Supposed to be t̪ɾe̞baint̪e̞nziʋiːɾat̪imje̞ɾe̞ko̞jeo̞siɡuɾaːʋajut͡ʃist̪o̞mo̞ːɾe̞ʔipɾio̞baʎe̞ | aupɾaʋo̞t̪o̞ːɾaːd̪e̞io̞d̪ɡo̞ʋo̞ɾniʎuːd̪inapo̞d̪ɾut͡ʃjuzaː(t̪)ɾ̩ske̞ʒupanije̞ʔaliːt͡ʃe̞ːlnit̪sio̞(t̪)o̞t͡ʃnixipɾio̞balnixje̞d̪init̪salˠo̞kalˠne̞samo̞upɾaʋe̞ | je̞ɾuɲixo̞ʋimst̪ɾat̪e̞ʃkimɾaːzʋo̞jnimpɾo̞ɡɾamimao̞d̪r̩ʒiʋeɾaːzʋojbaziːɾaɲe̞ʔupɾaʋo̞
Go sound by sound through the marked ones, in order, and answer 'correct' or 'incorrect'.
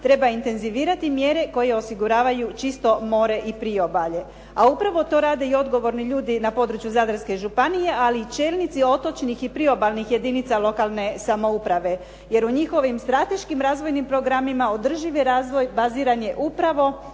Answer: incorrect: d̪, correct

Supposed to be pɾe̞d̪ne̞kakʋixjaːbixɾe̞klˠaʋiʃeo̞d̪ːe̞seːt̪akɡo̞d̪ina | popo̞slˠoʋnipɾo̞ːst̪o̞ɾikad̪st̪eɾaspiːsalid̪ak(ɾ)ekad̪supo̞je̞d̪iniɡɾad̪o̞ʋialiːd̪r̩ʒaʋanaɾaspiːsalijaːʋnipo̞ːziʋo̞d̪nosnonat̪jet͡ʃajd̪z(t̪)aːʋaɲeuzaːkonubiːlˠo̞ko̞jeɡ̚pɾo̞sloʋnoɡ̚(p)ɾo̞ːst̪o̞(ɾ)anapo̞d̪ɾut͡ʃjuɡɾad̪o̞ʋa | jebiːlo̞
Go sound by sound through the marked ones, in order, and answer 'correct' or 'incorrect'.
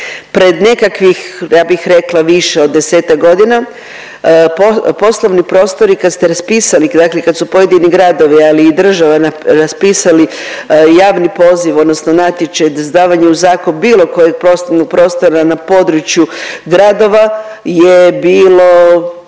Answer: incorrect: l, incorrect: d̪, correct, correct

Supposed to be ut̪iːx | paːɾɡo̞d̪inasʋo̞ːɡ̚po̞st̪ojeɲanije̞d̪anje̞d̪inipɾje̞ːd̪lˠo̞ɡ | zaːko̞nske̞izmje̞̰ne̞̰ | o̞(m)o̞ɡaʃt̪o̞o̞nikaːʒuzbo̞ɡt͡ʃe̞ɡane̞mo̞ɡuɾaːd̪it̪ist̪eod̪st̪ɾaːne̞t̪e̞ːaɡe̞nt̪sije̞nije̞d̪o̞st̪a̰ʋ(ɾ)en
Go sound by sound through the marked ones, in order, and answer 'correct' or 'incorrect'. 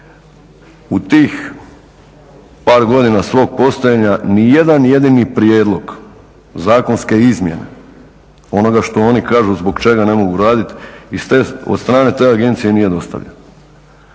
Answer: incorrect: n, incorrect: ʎ

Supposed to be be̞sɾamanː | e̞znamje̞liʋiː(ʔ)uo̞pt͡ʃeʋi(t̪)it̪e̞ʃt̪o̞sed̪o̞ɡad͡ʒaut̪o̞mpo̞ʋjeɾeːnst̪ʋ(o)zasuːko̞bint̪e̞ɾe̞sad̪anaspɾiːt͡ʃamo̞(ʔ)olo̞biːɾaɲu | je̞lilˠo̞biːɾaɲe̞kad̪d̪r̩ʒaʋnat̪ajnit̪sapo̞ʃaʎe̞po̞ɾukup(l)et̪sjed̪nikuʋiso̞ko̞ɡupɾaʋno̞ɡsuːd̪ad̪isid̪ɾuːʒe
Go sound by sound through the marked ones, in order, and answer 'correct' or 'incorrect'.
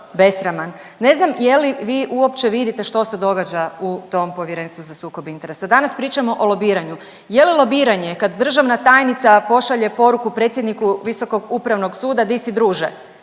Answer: correct, incorrect: d̪, incorrect: u, correct, incorrect: ɾ

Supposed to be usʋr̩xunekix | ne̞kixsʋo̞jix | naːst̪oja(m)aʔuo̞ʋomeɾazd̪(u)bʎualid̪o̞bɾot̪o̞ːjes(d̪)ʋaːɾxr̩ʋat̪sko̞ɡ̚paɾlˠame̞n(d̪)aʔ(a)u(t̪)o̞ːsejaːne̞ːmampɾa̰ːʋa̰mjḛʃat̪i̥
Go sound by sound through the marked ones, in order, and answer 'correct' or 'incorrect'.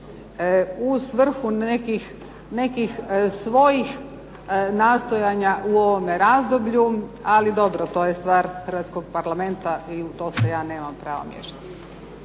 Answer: incorrect: ɲ, incorrect: o, incorrect: t̪, incorrect: t̪, incorrect: i, correct

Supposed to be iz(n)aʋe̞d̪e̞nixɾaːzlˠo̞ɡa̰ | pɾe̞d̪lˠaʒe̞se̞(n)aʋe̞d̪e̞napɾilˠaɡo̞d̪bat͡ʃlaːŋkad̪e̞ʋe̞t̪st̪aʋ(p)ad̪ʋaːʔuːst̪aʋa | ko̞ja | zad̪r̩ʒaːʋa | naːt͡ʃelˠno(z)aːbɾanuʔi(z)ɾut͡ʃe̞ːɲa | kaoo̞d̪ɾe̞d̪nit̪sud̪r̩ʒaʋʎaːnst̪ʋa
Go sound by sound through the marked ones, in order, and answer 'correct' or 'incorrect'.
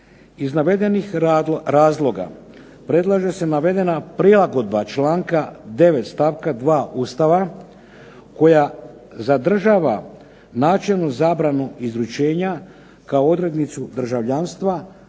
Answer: correct, correct, incorrect: k, correct, correct

